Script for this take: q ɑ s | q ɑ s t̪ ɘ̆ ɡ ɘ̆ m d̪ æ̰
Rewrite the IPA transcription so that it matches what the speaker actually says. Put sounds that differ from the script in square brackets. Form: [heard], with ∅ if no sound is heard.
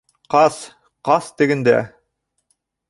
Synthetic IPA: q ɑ s | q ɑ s t̪ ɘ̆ ɡ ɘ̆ [n] d̪ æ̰